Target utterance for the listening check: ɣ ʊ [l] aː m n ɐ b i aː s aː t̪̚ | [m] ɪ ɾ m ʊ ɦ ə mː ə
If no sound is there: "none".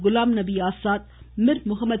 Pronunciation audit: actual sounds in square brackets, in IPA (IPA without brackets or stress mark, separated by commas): l, m